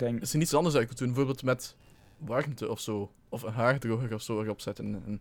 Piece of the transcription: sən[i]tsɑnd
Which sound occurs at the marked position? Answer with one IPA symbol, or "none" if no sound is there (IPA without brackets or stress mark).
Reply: i